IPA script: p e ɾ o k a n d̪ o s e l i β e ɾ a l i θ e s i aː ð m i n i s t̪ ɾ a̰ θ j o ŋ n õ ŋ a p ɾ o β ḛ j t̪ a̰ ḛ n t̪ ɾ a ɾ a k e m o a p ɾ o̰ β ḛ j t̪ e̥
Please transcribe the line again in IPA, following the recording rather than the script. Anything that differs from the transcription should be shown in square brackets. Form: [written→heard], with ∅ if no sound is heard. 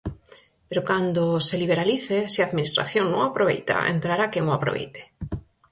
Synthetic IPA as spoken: p e ɾ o k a n d̪ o s e l i β e ɾ a l i θ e s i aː ð m i n i s t̪ ɾ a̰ θ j o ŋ n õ ŋ a p ɾ o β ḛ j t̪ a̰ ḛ n t̪ ɾ a ɾ a k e [m→ŋ] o a p ɾ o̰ β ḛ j t̪ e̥